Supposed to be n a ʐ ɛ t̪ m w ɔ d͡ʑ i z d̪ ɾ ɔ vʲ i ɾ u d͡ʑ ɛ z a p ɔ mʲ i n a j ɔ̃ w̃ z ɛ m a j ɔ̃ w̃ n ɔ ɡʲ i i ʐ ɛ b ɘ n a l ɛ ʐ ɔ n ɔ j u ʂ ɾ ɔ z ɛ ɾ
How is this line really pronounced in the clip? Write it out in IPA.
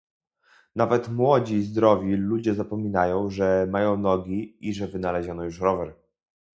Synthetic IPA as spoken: n a v ɛ t̪ m w ɔ d͡ʑ i z d̪ ɾ ɔ vʲ i l u d͡ʑ ɛ z a p ɔ mʲ i n a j ɔ̃ w̃ ʐ ɛ m a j ɔ̃ w̃ n ɔ ɡʲ i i ʐ ɛ v ɘ n a l ɛ ʑ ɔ n ɔ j u ʂ ɾ ɔ v ɛ ɾ